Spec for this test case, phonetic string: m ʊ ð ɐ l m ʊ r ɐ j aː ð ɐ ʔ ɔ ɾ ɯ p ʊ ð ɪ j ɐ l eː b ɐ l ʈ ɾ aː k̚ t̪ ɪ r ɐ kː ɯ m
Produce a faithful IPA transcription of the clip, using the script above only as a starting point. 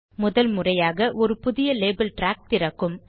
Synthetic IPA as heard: m ʊ ð ɐ l m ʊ r ɐ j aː ɣ ɐ ʔ ɔ ɾ ɯ p ʊ ð ɪ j ɐ l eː b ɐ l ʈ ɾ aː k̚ t̪ ɪ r ɐ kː ɯ m